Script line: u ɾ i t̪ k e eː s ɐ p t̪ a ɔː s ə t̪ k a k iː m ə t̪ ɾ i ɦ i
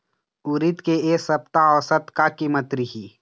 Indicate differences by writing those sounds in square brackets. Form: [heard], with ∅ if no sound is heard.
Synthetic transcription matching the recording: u ɾ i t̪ k e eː s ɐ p t̪ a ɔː s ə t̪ k a k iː m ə t̪ ɾ i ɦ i